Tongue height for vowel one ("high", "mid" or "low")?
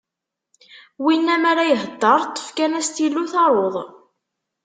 high